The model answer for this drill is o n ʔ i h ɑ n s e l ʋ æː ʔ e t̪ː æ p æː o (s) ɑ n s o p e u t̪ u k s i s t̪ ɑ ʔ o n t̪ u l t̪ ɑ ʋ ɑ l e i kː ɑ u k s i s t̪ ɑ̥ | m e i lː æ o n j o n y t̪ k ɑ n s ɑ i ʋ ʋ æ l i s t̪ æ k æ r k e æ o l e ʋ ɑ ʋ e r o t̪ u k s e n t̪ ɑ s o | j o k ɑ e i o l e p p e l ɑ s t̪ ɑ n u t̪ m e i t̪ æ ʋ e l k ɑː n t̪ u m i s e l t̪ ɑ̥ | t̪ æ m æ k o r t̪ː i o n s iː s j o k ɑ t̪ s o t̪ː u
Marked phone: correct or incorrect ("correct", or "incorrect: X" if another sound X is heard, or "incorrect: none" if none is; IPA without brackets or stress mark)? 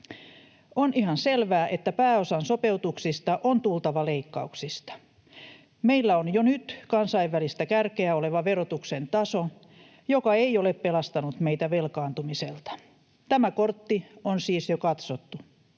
correct